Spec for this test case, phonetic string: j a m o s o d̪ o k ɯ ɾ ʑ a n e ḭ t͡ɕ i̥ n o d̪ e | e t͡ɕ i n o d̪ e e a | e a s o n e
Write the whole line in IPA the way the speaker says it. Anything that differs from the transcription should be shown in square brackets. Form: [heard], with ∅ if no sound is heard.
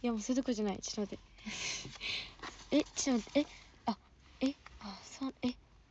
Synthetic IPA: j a m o s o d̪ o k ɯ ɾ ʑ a n [a] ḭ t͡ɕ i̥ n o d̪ e | e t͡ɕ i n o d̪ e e a | e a s o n e